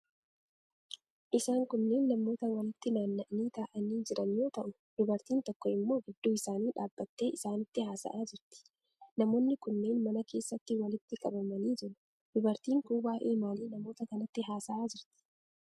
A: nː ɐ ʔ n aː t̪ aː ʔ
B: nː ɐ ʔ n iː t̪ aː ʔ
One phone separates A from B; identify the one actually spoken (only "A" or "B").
B